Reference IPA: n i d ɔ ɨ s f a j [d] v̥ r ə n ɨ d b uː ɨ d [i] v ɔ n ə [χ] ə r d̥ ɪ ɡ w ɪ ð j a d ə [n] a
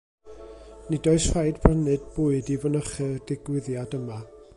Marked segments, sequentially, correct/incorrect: correct, correct, correct, incorrect: m

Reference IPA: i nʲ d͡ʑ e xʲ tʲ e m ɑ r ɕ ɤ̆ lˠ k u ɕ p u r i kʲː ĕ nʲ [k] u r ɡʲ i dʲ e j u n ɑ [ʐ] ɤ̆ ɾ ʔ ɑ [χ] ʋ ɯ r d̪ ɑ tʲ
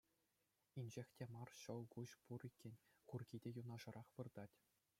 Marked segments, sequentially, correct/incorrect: correct, correct, correct

